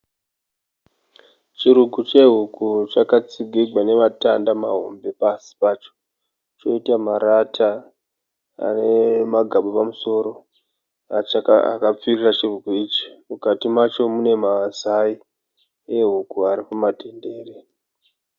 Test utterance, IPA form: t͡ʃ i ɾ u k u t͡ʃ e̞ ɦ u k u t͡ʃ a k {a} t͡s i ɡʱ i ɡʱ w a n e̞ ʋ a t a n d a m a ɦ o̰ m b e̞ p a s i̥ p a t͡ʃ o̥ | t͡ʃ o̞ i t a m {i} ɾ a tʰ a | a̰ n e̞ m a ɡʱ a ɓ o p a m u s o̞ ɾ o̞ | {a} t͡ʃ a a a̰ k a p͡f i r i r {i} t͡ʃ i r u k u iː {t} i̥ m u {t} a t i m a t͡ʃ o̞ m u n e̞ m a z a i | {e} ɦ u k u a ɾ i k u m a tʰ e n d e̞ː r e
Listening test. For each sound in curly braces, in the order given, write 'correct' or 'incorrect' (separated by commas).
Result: correct, incorrect, correct, incorrect, incorrect, incorrect, correct